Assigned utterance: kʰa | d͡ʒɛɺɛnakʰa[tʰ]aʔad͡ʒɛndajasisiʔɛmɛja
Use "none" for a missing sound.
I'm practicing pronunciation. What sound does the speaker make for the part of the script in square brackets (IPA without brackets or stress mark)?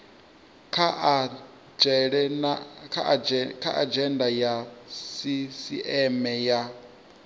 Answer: kʰ